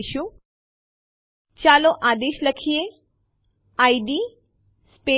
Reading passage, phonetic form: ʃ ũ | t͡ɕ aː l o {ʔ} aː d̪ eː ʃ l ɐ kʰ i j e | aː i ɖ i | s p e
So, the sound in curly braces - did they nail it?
yes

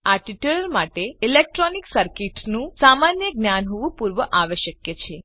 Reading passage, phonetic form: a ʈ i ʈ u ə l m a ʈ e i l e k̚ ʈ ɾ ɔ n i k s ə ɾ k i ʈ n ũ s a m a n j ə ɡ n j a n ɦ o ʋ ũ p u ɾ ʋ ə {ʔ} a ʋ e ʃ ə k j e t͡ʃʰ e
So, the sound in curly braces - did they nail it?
yes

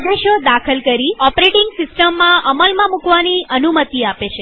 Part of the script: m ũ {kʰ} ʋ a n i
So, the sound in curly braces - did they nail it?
no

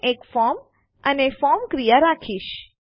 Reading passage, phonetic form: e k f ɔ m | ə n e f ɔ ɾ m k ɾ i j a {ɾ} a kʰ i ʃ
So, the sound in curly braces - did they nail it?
yes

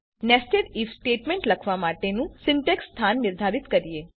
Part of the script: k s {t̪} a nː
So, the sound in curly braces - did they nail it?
no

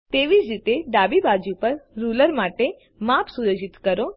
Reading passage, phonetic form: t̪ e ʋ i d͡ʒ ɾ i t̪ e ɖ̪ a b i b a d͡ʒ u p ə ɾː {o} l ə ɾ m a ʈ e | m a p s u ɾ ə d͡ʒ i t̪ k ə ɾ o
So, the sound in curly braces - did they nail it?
no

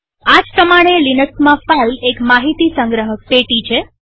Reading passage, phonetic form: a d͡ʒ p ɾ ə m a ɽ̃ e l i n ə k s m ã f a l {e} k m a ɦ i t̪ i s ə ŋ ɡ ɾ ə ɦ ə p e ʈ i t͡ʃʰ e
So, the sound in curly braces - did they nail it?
yes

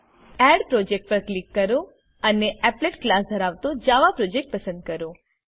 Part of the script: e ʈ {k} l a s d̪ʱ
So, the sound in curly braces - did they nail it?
yes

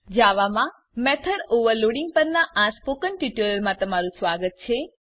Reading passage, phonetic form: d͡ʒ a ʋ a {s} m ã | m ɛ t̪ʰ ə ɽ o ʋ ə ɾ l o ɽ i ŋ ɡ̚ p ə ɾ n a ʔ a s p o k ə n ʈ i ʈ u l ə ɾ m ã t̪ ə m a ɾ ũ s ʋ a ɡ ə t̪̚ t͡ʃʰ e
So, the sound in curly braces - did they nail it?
no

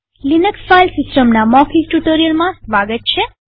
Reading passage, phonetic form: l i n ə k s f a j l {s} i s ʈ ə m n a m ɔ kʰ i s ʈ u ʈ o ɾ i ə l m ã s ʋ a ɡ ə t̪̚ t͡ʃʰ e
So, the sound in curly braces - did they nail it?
yes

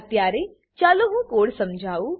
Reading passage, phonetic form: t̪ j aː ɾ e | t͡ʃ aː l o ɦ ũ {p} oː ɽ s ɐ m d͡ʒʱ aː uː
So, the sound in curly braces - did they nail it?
no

